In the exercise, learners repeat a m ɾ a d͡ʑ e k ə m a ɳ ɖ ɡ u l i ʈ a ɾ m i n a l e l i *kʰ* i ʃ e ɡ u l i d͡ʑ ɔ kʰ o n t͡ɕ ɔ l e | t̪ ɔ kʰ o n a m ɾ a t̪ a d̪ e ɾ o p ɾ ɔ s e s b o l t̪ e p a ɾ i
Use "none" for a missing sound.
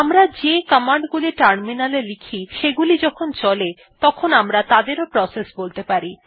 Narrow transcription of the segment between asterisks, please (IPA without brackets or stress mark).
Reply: kʰ